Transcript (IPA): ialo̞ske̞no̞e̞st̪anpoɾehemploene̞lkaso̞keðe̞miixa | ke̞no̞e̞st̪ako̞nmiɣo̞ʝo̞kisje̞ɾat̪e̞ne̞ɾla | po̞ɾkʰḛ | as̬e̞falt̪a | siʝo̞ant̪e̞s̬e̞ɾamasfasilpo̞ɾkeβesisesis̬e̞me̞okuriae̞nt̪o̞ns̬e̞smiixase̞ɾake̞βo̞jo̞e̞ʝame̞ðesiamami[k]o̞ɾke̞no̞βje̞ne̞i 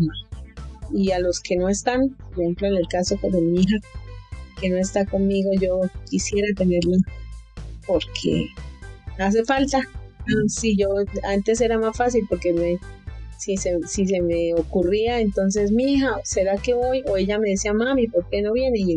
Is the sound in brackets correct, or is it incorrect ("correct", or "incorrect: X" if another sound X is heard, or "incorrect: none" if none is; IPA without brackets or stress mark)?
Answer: incorrect: p